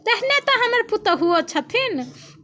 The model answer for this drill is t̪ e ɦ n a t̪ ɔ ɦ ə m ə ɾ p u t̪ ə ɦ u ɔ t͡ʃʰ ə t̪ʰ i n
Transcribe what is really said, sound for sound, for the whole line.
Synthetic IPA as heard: t̪ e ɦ n e t̪ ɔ ɦ ə m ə ɾ p u t̪ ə ɦ u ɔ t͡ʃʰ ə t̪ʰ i n